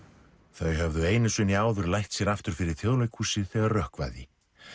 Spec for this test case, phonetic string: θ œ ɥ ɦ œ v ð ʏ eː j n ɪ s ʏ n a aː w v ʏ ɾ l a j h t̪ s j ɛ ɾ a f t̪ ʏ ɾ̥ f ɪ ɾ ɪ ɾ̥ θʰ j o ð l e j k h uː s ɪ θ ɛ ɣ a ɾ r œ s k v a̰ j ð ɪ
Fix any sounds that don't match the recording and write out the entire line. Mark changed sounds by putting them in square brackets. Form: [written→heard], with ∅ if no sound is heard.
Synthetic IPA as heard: θ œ ɥ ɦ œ v ð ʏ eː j n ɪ s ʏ n [a→i] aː w [v→ð] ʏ ɾ l a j h t̪ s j ɛ ɾ a f t̪ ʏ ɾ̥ f ɪ ɾ ɪ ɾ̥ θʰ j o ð l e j k h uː s ɪ θ ɛ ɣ a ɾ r œ [s→h] k v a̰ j ð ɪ